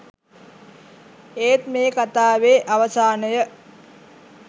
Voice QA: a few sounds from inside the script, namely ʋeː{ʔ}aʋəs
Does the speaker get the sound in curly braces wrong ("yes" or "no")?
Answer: no